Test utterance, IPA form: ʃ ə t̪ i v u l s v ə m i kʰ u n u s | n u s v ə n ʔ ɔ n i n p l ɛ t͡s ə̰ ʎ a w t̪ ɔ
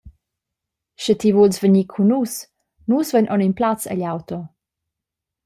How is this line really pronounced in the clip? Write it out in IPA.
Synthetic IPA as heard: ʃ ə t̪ i v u l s v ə ɲ i kʰ u n u s | n u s v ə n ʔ ɔ n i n p l a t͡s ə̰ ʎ a w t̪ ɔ